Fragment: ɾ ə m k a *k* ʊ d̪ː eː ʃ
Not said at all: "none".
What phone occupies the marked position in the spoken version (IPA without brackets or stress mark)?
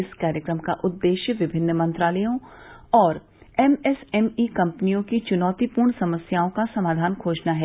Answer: ʔ